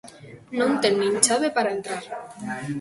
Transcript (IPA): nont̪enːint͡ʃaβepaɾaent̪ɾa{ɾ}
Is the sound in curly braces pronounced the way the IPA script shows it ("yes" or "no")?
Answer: yes